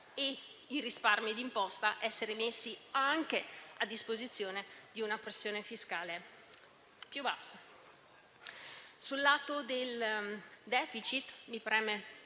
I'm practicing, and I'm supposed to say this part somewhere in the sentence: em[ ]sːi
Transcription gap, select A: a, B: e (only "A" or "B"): B